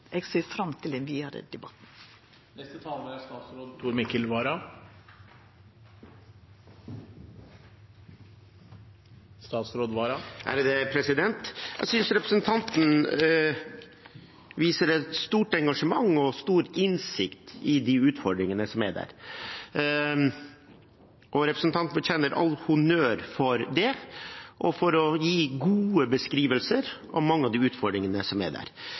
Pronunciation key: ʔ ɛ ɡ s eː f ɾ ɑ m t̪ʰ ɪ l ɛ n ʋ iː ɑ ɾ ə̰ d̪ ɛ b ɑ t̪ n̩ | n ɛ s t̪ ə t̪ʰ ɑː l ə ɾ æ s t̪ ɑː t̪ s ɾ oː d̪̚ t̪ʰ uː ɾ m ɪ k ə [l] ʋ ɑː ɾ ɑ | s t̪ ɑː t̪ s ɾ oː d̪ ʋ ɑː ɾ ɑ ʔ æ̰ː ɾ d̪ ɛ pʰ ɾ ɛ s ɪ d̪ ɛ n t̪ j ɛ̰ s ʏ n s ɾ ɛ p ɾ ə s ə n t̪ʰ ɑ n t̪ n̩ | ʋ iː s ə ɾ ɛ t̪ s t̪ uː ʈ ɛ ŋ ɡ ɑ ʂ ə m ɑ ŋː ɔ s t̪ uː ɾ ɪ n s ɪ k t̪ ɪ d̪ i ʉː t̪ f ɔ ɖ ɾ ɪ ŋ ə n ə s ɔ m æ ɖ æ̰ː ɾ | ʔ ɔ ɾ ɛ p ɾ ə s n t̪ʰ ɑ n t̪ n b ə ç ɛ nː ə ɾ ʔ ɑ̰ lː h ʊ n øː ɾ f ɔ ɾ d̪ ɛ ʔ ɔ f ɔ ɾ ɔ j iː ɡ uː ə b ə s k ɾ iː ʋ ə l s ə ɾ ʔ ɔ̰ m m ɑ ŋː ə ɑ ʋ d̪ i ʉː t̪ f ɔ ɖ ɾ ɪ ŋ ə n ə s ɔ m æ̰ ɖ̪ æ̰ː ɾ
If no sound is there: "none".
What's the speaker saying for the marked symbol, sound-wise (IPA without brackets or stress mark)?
l